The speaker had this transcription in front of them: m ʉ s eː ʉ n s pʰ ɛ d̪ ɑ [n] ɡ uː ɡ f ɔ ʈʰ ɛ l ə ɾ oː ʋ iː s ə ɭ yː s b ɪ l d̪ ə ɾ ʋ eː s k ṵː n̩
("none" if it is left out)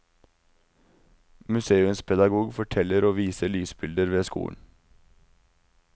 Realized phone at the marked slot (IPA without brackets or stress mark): none